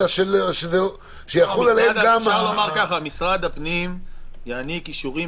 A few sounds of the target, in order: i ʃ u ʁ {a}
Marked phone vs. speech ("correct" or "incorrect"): incorrect